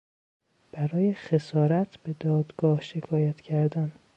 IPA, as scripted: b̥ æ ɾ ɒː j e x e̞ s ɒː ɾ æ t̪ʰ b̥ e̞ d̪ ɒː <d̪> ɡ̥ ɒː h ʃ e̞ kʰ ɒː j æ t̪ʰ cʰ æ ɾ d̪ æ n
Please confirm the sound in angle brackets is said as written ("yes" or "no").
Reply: yes